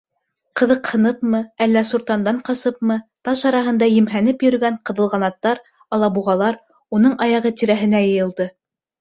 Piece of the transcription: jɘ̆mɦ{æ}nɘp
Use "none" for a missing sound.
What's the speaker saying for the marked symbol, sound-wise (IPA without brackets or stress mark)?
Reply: æ